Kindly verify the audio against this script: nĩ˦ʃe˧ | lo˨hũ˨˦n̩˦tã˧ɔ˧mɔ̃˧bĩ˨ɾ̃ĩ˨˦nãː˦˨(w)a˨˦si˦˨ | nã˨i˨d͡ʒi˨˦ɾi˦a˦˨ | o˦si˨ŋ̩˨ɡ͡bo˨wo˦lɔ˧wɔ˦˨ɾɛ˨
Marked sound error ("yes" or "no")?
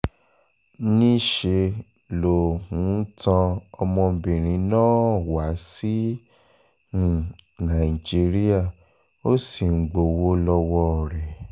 no